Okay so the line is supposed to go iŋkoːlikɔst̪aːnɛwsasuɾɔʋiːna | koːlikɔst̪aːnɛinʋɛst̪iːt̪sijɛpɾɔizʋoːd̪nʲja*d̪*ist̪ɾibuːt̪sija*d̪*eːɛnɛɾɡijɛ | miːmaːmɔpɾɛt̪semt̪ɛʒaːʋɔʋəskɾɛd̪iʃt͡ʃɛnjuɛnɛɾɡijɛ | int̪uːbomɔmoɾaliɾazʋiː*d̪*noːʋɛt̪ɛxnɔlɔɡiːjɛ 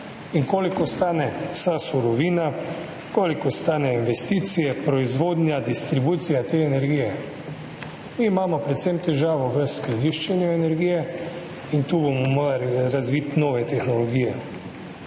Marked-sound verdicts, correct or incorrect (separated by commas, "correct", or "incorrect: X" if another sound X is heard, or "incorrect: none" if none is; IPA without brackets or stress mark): correct, incorrect: t̪, incorrect: t̪